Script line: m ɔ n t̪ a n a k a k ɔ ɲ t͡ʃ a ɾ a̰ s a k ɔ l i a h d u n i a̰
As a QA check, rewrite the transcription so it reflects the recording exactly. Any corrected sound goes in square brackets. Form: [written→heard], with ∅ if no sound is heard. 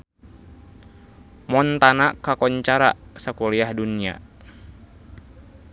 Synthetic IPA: m ɔ n t̪ a n a k a k ɔ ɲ t͡ʃ a ɾ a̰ s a k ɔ l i a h d u n i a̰